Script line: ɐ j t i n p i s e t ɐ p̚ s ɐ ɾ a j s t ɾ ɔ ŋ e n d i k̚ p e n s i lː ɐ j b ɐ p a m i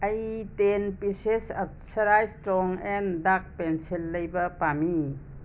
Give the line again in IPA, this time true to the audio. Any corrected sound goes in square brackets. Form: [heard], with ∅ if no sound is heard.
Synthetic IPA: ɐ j t [e] n p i s e [s] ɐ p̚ s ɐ ɾ a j s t ɾ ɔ ŋ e n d [a] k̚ p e n s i lː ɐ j b ɐ p a m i